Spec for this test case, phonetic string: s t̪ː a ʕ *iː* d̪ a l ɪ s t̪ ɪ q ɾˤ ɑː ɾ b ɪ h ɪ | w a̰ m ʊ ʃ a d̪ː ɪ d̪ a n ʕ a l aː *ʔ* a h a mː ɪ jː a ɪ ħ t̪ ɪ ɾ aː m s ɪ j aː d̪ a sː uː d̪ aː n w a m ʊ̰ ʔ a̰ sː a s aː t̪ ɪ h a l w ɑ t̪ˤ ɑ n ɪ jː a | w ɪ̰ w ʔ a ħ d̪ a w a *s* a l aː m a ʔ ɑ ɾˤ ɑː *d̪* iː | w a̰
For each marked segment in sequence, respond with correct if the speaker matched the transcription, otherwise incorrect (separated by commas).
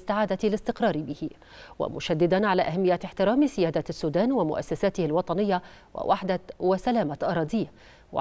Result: incorrect, correct, correct, correct